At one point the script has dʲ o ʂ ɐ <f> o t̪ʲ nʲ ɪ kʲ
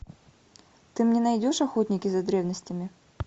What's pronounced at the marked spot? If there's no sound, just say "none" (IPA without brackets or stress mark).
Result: x